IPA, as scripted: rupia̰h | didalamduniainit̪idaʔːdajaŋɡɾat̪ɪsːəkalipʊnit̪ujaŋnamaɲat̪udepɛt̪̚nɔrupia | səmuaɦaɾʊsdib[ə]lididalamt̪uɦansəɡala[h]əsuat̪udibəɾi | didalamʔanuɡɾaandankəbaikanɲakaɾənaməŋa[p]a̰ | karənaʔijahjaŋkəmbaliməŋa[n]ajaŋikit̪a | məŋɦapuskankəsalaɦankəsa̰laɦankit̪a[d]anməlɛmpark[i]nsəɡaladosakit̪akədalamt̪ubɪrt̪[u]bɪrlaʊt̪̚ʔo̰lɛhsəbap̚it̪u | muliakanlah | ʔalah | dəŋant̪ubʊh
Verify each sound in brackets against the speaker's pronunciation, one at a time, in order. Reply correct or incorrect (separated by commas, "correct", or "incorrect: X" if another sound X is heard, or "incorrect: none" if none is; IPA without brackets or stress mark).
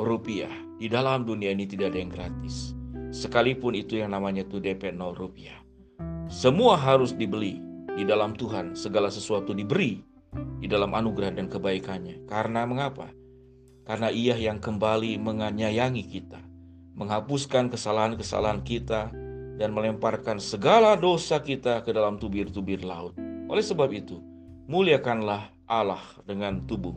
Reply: correct, incorrect: s, correct, incorrect: ɲ, correct, incorrect: a, correct